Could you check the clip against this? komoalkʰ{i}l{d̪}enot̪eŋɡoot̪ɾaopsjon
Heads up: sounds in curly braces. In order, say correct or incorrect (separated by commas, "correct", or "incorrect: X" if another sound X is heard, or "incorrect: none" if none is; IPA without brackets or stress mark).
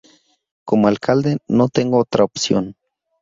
incorrect: a, correct